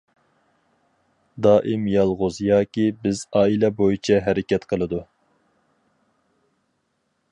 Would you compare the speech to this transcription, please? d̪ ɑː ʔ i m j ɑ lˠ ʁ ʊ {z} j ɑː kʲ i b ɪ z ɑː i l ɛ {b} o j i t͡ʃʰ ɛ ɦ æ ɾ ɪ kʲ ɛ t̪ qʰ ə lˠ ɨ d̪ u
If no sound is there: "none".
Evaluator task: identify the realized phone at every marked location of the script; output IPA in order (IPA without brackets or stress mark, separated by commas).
z, b